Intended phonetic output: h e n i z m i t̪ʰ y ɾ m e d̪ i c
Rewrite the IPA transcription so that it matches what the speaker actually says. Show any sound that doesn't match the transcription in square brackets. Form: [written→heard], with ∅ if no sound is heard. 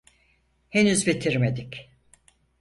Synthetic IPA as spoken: h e n [i→y] z [m→b] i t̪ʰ [y→i] ɾ m e d̪ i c